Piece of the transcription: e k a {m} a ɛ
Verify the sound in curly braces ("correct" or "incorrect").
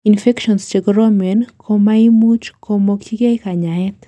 incorrect